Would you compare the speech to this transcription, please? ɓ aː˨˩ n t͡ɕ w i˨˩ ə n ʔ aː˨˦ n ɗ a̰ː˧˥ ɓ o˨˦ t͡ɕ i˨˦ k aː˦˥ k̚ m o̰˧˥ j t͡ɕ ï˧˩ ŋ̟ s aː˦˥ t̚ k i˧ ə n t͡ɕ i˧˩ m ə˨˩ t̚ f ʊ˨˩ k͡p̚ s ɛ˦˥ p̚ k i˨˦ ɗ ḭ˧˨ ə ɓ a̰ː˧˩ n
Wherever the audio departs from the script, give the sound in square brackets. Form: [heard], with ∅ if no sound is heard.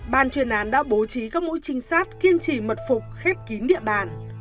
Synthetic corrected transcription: ɓ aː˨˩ n t͡ɕ w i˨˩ ə n ʔ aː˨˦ n ɗ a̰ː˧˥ ɓ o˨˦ t͡ɕ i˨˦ k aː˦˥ k̚ m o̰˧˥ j t͡ɕ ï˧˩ ŋ̟ s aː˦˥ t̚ k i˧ ə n t͡ɕ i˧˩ m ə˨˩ t̚ f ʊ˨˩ k͡p̚ [x] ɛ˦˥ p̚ k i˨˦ ɗ ḭ˧˨ ə ɓ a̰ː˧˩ n